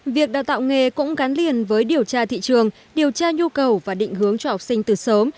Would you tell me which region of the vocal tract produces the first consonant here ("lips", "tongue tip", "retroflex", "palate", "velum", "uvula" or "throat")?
lips